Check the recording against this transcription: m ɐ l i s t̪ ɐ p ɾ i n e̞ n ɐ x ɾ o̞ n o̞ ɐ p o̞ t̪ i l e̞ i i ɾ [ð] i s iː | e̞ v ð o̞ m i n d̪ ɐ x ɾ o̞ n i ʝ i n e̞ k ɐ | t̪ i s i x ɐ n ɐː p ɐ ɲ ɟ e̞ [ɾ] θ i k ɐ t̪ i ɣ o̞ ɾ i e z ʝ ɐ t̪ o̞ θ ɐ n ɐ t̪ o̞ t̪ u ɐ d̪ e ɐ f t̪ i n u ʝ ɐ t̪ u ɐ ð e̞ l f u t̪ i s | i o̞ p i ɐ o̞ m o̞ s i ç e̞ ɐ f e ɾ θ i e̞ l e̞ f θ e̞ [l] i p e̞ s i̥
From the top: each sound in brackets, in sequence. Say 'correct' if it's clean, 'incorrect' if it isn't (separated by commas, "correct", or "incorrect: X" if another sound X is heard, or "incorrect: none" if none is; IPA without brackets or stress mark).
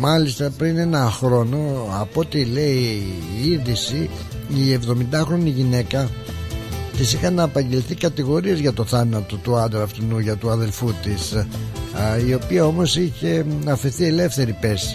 correct, incorrect: l, incorrect: ɾ